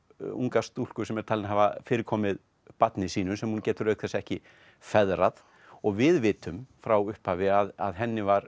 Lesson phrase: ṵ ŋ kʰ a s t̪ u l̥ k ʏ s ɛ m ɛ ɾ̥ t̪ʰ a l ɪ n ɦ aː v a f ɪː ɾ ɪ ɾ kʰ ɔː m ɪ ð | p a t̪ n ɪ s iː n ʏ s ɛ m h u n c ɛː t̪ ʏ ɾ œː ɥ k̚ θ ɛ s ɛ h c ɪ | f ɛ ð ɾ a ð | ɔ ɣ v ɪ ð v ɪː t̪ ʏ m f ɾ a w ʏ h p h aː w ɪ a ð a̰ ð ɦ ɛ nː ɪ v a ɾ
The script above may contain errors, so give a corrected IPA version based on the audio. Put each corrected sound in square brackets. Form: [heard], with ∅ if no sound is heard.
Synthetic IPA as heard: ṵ ŋ [k] a s t̪ u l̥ k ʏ s ɛ m ɛ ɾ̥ t̪ʰ a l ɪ n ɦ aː v a f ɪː ɾ ɪ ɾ kʰ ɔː m ɪ ð | p a t̪ n ɪ s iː n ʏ s ɛ m h u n c ɛː t̪ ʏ ɾ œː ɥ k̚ θ ɛ s ɛ h c ɪ | f ɛ ð ɾ a ð | ɔ ɣ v ɪ ð v ɪː t̪ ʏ m f ɾ a w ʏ h p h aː [v] ɪ a ð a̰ ð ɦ ɛ nː ɪ v a ɾ